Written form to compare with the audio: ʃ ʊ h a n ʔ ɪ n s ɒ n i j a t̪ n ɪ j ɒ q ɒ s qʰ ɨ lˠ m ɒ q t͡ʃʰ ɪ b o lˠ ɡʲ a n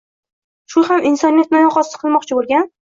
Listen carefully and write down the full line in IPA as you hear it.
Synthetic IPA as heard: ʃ ʊ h a m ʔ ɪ n s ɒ n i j a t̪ n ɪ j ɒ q ɒ s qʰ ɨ lˠ m ɒ q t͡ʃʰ ɪ b o lˠ ɡʲ a n